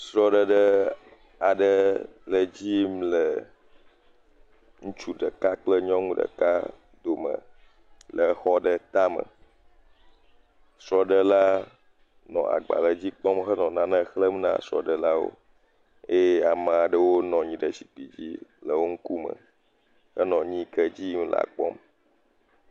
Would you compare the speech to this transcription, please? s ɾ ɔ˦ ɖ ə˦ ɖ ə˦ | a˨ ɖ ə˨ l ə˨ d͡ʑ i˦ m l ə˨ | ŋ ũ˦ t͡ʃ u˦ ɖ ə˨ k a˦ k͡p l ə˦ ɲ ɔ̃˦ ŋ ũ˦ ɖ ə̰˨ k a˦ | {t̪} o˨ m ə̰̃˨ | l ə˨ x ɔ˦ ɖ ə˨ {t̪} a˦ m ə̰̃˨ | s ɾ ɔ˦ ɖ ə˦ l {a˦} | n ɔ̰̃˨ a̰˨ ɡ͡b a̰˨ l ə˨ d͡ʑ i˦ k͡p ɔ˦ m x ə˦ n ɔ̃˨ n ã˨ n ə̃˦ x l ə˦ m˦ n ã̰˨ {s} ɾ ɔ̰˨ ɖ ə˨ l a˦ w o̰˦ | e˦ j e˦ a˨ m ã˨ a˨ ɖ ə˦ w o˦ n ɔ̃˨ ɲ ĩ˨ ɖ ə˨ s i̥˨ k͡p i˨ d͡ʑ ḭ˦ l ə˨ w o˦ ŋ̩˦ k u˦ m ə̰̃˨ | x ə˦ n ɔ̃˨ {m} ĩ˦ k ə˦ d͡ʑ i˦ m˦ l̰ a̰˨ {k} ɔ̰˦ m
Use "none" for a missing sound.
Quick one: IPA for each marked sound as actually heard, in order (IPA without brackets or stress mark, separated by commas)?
d̪, t̪, a˦, s, ɲ, k͡p